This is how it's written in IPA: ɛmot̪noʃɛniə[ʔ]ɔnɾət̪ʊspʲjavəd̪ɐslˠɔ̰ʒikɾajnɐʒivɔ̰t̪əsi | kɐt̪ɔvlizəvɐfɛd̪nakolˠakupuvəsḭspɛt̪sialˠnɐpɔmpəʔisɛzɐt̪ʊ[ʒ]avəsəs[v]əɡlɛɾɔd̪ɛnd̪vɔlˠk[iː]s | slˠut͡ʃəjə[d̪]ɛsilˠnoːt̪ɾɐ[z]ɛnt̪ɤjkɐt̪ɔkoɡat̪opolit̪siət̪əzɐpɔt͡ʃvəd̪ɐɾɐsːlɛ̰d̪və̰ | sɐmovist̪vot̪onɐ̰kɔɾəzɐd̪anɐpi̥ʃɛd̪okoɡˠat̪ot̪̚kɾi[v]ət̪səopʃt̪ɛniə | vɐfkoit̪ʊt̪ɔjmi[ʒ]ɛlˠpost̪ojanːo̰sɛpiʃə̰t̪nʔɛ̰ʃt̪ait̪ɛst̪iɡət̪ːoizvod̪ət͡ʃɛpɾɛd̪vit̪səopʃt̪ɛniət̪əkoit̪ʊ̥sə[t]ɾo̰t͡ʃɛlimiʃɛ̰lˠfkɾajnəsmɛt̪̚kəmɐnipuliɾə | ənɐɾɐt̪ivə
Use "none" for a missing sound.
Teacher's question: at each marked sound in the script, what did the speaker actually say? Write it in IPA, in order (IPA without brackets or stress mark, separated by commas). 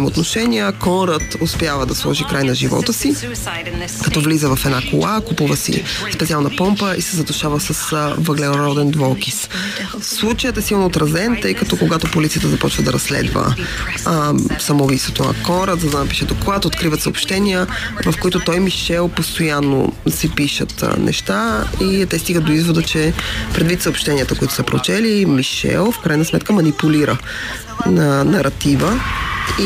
k, ʃ, v, i, t̪, z, v, ʃ, p